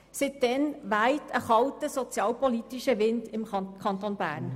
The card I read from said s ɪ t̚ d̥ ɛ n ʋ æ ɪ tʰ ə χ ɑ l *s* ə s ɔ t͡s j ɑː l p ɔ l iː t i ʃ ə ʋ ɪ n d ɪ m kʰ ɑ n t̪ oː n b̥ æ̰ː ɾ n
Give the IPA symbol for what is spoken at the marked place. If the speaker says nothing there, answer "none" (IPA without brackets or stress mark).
t